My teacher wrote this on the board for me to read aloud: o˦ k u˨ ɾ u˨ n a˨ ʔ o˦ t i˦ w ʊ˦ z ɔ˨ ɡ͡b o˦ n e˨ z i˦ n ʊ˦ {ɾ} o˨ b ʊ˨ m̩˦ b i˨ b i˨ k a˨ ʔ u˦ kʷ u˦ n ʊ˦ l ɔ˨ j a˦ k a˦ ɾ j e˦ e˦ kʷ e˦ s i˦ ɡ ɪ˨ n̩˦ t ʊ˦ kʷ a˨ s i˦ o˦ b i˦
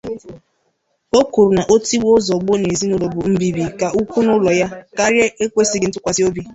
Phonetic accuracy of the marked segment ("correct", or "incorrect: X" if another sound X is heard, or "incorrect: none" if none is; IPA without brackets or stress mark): incorrect: l